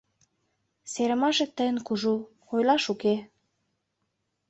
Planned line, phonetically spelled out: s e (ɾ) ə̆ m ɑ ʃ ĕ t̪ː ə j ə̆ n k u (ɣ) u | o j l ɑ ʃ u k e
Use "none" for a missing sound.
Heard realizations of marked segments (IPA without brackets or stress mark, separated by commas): ɾ, ʒ